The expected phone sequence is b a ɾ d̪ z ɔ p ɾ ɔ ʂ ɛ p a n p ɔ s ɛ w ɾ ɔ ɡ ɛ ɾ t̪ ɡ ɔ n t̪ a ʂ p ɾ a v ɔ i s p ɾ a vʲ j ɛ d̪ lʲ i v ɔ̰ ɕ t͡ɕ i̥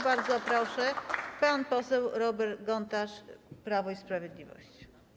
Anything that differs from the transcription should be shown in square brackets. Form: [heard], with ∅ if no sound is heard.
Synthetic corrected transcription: b a ɾ d̪ z ɔ p ɾ ɔ ʂ ɛ p a n p ɔ s ɛ w ɾ ɔ [b] ɛ ɾ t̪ ɡ ɔ n t̪ a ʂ p ɾ a v ɔ i s p ɾ a vʲ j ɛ d̪ lʲ i v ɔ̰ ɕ t͡ɕ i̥